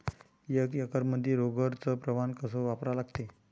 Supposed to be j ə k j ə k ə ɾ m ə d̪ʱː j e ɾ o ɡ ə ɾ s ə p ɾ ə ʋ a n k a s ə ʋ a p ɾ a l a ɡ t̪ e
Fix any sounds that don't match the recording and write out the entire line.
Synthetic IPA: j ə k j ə k ə ɾ m ə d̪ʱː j e ɾ o ɡ ə ɾ t͡s ə p ɾ ə ʋ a n k ə s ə ʋ a p ɾ a l a ɡ t̪ e